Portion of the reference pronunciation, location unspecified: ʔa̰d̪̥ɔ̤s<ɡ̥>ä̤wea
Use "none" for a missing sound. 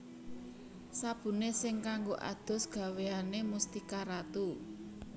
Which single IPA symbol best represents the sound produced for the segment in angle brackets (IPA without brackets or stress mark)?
ɡ̥